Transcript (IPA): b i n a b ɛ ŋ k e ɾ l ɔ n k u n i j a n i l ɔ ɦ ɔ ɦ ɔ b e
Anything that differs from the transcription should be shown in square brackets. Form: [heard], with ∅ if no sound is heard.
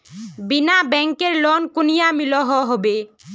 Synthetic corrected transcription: b i n a b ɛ ŋ k e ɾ l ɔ n k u n i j a [m] i l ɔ ɦ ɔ ɦ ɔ b e